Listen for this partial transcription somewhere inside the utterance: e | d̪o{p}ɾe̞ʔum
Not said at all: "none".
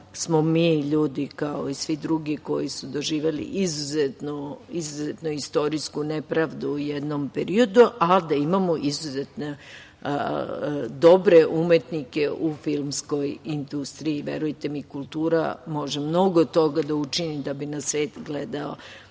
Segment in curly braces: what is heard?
b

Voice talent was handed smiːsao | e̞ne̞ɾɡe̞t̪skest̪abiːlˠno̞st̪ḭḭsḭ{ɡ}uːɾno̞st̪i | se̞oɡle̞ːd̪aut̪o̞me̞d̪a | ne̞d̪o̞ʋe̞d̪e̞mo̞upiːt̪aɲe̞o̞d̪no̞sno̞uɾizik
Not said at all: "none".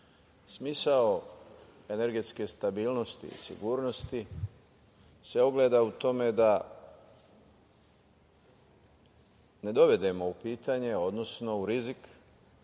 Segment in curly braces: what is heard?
ɡ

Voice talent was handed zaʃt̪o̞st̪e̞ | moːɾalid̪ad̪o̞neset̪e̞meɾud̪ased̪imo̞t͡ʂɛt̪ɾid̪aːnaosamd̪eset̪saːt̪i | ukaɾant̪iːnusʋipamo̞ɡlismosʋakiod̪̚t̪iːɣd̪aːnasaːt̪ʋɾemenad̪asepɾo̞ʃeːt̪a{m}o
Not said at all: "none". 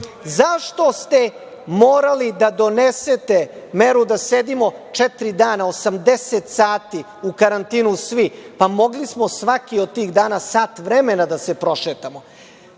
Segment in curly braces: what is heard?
m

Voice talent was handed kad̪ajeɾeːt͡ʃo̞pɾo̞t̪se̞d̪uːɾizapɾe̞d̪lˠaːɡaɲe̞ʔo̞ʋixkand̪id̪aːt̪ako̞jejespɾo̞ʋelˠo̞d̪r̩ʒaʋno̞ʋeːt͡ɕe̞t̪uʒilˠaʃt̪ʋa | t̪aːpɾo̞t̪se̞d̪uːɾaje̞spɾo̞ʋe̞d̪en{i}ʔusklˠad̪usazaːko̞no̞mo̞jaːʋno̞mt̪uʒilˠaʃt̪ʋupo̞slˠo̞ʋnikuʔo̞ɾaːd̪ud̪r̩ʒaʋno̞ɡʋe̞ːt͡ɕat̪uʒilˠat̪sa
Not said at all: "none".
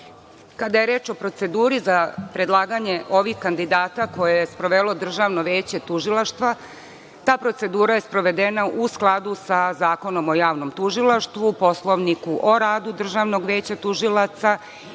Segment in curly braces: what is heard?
a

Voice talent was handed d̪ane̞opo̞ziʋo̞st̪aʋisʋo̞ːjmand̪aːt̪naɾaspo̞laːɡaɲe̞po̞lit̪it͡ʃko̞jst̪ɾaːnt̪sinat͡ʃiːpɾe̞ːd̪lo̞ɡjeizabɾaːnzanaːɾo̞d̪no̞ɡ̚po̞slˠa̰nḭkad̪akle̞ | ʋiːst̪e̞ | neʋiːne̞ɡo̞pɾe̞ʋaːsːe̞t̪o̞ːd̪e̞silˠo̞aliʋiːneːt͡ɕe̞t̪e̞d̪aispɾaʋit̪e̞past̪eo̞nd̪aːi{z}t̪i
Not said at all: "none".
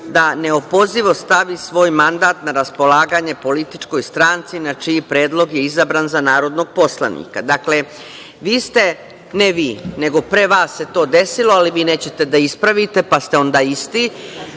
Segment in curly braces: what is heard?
s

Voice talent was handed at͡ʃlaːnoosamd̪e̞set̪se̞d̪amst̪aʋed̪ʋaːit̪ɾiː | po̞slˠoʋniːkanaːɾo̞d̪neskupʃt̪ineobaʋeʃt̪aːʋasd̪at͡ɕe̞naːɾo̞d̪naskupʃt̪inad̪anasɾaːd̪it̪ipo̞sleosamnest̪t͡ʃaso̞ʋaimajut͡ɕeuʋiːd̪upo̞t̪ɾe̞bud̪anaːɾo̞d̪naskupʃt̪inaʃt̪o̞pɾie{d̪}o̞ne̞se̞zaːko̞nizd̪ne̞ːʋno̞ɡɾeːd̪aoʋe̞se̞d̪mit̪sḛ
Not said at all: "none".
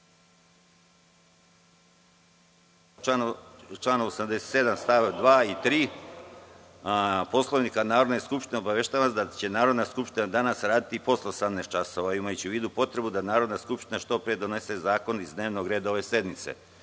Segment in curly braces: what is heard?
d̪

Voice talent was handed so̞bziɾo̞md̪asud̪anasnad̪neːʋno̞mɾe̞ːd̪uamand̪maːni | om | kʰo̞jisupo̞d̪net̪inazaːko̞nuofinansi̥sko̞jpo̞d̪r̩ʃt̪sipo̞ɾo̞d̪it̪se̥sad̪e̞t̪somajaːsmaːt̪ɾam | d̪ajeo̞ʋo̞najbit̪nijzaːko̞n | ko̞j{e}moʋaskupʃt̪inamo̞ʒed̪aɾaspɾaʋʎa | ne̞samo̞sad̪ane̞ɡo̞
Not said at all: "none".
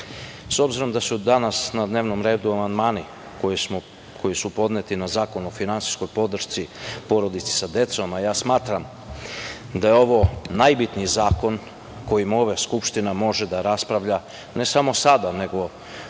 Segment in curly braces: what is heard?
i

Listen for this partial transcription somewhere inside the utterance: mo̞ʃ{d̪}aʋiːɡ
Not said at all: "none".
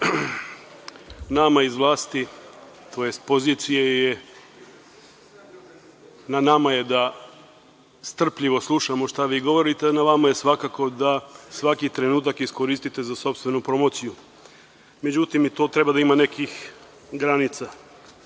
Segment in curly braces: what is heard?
t̪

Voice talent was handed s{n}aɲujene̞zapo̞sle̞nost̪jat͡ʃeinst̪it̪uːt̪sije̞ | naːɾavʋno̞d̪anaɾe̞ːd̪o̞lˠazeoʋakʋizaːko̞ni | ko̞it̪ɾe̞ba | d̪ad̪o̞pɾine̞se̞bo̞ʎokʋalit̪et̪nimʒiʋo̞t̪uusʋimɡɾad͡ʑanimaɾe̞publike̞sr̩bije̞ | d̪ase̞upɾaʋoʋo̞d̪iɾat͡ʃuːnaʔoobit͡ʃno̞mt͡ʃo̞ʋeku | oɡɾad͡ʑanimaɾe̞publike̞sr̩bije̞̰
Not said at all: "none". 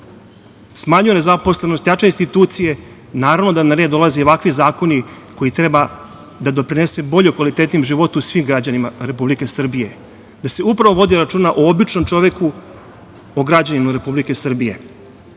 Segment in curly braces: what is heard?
m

